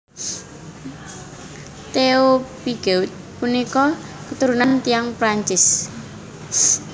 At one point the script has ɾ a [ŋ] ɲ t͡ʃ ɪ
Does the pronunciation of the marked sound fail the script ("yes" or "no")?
yes